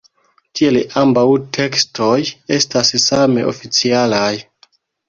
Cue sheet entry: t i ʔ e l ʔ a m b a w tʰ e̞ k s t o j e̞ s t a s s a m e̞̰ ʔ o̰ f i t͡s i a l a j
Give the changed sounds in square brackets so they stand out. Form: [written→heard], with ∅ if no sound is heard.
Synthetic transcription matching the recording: t i [ʔ→∅] e l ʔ a m b a w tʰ e̞ k s t o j e̞ s t a s s a m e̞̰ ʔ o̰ f i t͡s i a l a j